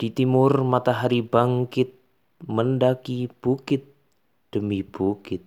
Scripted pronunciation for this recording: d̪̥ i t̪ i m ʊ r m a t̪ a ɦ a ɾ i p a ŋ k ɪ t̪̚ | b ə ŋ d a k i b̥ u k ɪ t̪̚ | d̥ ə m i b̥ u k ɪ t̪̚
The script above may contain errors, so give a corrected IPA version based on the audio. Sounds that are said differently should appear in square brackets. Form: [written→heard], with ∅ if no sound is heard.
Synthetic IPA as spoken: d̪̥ i t̪ i m ʊ r m a t̪ a ɦ a ɾ i [p→b] a ŋ k ɪ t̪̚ | [b→m] ə [ŋ→n] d a k i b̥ u k ɪ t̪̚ | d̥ ə m i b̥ u k ɪ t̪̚